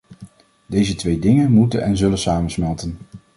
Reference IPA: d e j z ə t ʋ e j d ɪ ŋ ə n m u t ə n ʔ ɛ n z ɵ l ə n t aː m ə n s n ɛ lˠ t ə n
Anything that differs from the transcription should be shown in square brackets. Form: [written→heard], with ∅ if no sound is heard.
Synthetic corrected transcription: d e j z ə t ʋ e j d ɪ ŋ ə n m u t ə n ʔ ɛ n z ɵ l ə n [t→s] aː m ə n s [n→m] ɛ lˠ t ə n